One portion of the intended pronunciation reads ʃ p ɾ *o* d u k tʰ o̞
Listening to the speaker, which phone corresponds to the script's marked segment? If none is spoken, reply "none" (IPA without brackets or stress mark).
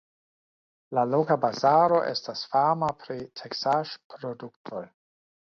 o